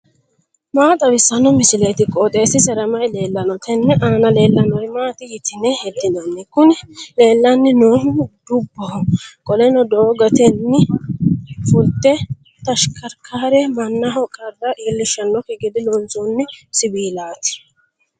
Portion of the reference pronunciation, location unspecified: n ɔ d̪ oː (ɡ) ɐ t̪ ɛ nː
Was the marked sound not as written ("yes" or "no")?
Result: no